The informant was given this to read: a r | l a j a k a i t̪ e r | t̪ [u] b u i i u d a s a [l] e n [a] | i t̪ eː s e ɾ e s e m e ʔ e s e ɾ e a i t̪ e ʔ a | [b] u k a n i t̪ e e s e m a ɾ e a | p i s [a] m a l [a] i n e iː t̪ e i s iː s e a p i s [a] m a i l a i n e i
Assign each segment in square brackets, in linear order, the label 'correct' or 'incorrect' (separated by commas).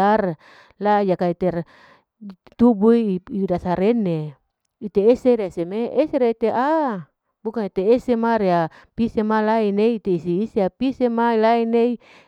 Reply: correct, incorrect, incorrect, correct, incorrect, correct, incorrect